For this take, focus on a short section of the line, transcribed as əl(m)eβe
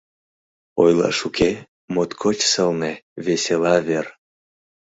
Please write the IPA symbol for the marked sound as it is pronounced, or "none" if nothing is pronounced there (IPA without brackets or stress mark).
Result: n